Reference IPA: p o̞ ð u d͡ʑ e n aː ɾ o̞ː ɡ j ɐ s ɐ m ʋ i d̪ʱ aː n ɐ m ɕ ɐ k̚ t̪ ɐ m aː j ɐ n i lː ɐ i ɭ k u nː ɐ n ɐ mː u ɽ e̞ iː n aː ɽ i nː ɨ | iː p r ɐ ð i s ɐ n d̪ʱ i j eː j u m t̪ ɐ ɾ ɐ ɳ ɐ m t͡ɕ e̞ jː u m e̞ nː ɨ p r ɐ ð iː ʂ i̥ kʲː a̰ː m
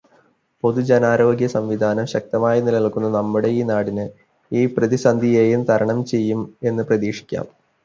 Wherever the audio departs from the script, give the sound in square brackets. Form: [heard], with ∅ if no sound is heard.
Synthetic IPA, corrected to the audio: p o̞ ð u d͡ʑ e n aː ɾ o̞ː ɡ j ɐ s ɐ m ʋ i d̪ʱ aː n ɐ m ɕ ɐ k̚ t̪ ɐ m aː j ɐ n i [l] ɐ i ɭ k u nː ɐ n ɐ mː u ɽ e̞ iː n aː ɽ i [n] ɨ | iː p r ɐ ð i s ɐ n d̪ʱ i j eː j u m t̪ ɐ ɾ ɐ ɳ ɐ m t͡ɕ e̞ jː u m e̞ nː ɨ p r ɐ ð iː ʂ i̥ kʲː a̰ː m